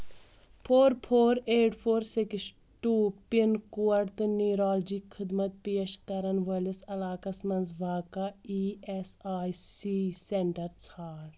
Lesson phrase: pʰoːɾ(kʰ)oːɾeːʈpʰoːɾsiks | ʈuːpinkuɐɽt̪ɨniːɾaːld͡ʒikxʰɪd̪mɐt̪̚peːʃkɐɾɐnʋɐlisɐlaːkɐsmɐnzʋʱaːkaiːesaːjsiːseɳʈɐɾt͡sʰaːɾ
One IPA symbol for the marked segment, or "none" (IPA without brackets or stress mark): pʰ